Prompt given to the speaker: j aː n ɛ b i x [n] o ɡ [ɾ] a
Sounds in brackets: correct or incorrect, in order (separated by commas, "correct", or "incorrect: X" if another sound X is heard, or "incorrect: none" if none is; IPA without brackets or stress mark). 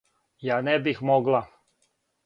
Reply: incorrect: m, incorrect: l